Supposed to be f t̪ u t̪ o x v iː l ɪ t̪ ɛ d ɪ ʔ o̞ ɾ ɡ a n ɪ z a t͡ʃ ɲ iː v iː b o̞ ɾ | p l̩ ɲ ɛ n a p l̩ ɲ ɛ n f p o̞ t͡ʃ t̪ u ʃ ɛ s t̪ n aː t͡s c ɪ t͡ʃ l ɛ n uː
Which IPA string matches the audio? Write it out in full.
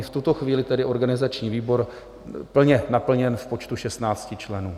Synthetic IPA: f t̪ u t̪ o x v iː l ɪ t̪ ɛ d ɪ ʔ o̞ ɾ ɡ a n ɪ z a t͡ʃ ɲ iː v iː b o̞ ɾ | p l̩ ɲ ɛ n a p l̩ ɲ ɛ n f p o̞ t͡ʃ t̪ u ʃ ɛ s t̪ n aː t͡s c ɪ t͡ʃ l ɛ n uː